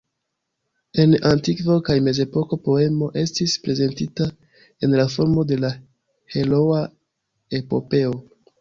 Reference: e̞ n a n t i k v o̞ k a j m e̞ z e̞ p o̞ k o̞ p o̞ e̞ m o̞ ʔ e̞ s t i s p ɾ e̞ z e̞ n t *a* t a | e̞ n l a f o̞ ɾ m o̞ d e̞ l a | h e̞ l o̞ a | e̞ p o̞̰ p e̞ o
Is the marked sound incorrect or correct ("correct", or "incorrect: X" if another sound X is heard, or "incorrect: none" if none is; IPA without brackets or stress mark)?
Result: incorrect: i